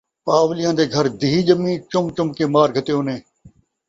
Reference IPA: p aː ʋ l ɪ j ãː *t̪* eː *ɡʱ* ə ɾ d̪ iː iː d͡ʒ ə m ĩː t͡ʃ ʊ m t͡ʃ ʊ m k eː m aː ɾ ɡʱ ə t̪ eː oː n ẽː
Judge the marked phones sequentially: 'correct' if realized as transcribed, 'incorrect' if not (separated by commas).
incorrect, correct